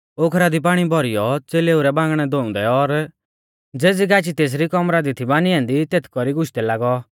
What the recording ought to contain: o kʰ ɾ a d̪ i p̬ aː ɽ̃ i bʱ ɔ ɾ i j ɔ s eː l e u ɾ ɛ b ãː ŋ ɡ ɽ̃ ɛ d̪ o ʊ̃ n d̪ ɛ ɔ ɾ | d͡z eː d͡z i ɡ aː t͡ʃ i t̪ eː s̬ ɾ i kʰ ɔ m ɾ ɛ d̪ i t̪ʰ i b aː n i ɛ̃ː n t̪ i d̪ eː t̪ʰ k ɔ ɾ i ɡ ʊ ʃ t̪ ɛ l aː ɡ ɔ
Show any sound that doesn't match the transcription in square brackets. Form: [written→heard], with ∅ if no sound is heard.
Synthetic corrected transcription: o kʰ ɾ a d̪ i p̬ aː ɽ̃ i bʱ ɔ ɾ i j ɔ [s→t͡s] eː l e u ɾ ɛ b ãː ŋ ɡ ɽ̃ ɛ d̪ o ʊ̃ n d̪ ɛ ɔ ɾ | d͡z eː d͡z i ɡ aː t͡ʃ i t̪ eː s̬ ɾ i [kʰ→k] ɔ m ɾ [ɛ→a] d̪ i t̪ʰ i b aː n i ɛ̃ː n [t̪→d̪] i [d̪→t̪] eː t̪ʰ k ɔ ɾ i ɡ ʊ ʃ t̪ ɛ l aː ɡ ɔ

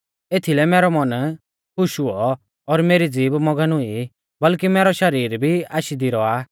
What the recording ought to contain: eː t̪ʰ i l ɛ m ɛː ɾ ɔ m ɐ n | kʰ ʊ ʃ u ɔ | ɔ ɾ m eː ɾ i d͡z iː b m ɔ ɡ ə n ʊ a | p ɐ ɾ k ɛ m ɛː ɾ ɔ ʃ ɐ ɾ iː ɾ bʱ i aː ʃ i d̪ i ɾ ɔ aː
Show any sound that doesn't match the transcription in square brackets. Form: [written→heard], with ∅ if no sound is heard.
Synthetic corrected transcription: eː t̪ʰ i l ɛ m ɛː ɾ ɔ m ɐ n | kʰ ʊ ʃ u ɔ | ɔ ɾ m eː ɾ i d͡z iː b m ɔ ɡ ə n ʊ [a→i] | [p→b] ɐ [ɾ→l] k [ɛ→i] m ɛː ɾ ɔ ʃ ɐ ɾ iː ɾ bʱ i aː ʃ i d̪ i ɾ ɔ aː

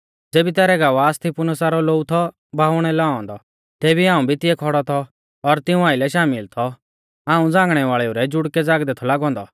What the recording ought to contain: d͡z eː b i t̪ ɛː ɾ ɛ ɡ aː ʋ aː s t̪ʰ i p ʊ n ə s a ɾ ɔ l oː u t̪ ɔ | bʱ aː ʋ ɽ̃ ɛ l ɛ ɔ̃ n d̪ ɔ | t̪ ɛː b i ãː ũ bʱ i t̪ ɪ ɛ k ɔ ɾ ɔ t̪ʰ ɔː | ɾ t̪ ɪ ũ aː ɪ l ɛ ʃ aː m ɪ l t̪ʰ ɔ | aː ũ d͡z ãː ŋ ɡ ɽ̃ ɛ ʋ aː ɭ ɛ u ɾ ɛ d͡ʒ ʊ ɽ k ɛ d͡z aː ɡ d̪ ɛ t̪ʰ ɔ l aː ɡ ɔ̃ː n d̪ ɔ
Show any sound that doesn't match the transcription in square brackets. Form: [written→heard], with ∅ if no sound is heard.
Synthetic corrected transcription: d͡z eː b i t̪ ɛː ɾ ɛ ɡ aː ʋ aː s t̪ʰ i p ʊ n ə s a ɾ ɔ l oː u [t̪→t̪ʰ] ɔ | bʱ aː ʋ ɽ̃ ɛ l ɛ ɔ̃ n d̪ ɔ | t̪ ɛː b i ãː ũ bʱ i t̪ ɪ ɛ [k→kʰ] ɔ [ɾ→ɽ] ɔ t̪ʰ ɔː | ɾ t̪ ɪ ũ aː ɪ l ɛ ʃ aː m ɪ l t̪ʰ ɔ | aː ũ d͡z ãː ŋ ɡ ɽ̃ ɛ ʋ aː ɭ ɛ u ɾ ɛ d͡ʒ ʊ ɽ k ɛ d͡z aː ɡ d̪ ɛ t̪ʰ ɔ l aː ɡ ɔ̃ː n d̪ ɔ

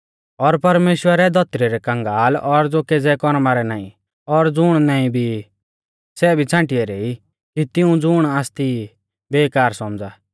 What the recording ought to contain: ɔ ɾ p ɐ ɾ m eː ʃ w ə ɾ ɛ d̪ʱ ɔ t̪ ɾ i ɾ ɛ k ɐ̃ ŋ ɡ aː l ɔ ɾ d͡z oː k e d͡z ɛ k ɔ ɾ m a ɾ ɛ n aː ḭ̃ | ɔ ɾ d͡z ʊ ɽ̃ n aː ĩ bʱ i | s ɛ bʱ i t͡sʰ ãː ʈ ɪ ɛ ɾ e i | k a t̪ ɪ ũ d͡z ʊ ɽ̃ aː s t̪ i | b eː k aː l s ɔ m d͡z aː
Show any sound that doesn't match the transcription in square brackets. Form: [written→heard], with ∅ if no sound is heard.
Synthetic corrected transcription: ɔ ɾ p ɐ ɾ m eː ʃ w ə ɾ ɛ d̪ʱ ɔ t̪ ɾ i ɾ ɛ k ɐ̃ ŋ ɡ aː l ɔ ɾ d͡z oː k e d͡z ɛ k ɔ ɾ m a ɾ ɛ n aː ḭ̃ | ɔ ɾ d͡z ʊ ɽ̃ n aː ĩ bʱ i | s ɛ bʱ i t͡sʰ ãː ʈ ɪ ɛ ɾ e i | k [a→i] t̪ ɪ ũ d͡z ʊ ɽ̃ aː s t̪ i | b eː k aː [l→ɾ] s ɔ m d͡z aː

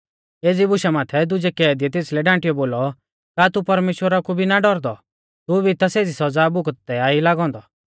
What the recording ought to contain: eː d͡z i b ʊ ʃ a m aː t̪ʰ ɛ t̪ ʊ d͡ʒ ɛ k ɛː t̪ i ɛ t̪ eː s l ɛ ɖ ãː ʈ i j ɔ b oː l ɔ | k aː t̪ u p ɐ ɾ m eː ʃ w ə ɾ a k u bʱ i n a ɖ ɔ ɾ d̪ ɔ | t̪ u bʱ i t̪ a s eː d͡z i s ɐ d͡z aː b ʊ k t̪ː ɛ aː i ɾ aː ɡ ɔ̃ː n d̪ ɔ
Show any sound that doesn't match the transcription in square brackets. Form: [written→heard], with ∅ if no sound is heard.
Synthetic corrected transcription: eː d͡z i b ʊ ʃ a m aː t̪ʰ ɛ [t̪→d̪] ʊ d͡ʒ ɛ k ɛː [t̪→d̪] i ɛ t̪ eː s l ɛ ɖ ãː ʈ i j ɔ b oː l ɔ | k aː t̪ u p ɐ ɾ m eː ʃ w ə ɾ a k u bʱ i n a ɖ ɔ ɾ d̪ ɔ | t̪ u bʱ i t̪ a s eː d͡z i s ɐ d͡z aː b ʊ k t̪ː ɛ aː i [ɾ→l] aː ɡ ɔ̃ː n d̪ ɔ

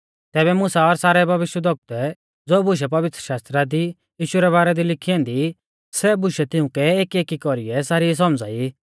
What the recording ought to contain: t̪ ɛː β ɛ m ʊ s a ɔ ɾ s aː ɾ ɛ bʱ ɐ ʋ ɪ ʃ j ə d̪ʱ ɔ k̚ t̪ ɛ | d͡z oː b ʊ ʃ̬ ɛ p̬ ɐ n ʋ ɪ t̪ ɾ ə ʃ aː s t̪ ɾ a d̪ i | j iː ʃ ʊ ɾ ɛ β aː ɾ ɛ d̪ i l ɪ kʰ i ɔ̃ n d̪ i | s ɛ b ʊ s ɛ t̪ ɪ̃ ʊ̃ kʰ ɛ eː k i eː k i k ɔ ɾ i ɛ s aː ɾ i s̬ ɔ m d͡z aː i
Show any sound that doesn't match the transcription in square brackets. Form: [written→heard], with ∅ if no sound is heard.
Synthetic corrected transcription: t̪ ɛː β ɛ m ʊ s a ɔ ɾ s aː ɾ ɛ bʱ ɐ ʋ ɪ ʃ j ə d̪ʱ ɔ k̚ t̪ ɛ | d͡z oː b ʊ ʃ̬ ɛ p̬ ɐ [n→∅] ʋ ɪ t̪ ɾ ə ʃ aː s t̪ ɾ a d̪ i | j iː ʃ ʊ ɾ ɛ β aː ɾ ɛ d̪ i l ɪ kʰ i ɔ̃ n d̪ i | s ɛ b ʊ [s→ʃ] ɛ t̪ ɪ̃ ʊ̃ [kʰ→k] ɛ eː k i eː k i k ɔ ɾ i ɛ s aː ɾ i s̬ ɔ m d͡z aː i

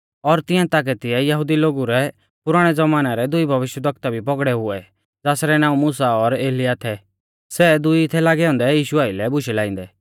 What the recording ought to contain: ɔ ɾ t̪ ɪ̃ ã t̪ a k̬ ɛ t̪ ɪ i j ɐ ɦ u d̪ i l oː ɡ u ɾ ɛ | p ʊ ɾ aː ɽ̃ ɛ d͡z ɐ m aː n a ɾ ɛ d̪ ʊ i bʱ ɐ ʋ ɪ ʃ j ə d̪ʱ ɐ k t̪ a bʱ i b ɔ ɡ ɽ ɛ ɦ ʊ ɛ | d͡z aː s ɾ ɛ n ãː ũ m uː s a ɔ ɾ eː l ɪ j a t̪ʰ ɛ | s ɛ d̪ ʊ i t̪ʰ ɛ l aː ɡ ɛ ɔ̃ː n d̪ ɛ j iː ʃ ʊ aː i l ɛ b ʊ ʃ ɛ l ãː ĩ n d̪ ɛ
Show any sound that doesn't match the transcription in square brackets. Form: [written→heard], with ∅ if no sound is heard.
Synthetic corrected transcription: ɔ ɾ t̪ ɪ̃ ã t̪ a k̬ ɛ t̪ ɪ [i→ɛ] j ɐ ɦ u d̪ i l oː ɡ u ɾ ɛ | p ʊ ɾ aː ɽ̃ ɛ d͡z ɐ m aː n a ɾ ɛ d̪ ʊ i bʱ ɐ ʋ ɪ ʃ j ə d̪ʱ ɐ k t̪ a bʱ i [b→p] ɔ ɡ ɽ ɛ ɦ ʊ ɛ | d͡z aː s ɾ ɛ n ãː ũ m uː s a ɔ ɾ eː l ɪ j a t̪ʰ ɛ | s ɛ d̪ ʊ i t̪ʰ ɛ l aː ɡ ɛ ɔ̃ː n d̪ ɛ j iː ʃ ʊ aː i l ɛ b ʊ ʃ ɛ l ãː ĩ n d̪ ɛ

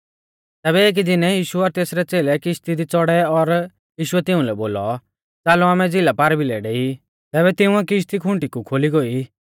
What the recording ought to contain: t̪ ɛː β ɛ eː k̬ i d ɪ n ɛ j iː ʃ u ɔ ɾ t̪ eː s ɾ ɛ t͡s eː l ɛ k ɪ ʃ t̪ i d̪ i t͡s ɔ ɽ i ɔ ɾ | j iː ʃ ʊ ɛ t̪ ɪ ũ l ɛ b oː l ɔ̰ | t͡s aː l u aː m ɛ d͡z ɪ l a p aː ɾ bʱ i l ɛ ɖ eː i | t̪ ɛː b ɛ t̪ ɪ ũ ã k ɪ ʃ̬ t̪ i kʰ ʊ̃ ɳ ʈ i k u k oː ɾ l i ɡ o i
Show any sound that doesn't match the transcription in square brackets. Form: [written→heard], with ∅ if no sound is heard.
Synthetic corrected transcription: t̪ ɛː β ɛ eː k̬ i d ɪ n ɛ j iː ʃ u ɔ ɾ t̪ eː s ɾ ɛ t͡s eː l ɛ k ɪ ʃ t̪ i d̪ i t͡s ɔ ɽ [i→ɛ] ɔ ɾ | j iː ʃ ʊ ɛ t̪ ɪ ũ l ɛ b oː l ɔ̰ | t͡s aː l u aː m ɛ d͡z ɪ l a p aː ɾ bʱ i l ɛ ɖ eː i | t̪ ɛː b ɛ t̪ ɪ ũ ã k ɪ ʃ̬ t̪ i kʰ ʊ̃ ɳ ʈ i k u [k→kʰ] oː [ɾ→∅] l i ɡ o i

